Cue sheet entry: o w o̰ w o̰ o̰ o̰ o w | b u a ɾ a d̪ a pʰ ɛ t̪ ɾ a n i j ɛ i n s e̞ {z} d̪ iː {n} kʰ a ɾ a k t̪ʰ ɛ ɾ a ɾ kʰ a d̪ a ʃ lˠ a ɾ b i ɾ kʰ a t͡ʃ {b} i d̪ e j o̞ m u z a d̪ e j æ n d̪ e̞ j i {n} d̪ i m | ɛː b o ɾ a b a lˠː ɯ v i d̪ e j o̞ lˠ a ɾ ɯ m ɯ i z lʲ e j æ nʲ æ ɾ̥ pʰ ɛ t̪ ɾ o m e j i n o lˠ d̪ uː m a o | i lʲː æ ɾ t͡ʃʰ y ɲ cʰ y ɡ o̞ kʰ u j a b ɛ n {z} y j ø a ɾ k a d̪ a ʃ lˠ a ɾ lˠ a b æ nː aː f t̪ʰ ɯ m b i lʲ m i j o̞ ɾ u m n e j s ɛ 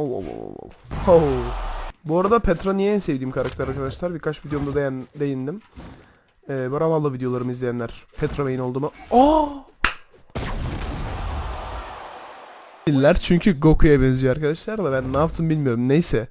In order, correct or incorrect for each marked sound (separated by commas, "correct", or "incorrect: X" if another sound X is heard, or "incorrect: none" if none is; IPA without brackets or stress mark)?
incorrect: v, incorrect: m, incorrect: v, correct, correct